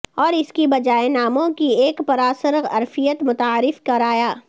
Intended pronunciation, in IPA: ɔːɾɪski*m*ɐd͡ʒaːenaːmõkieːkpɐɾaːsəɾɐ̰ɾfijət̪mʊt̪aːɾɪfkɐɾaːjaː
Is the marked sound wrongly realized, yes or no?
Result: yes